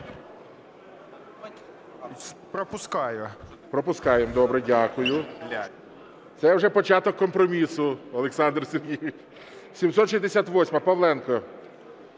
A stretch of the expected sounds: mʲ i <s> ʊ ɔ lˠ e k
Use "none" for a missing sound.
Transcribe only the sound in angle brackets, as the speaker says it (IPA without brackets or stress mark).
s